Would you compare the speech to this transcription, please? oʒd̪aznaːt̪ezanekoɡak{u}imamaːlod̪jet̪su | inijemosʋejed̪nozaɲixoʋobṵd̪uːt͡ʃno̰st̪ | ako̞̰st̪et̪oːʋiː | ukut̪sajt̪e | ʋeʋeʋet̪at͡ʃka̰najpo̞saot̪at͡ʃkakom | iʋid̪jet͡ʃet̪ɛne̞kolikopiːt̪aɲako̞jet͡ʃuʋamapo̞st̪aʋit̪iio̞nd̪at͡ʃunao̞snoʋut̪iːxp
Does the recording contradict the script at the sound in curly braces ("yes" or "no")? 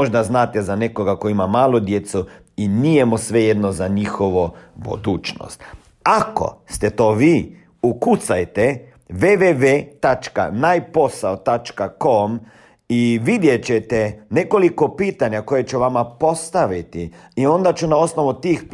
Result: yes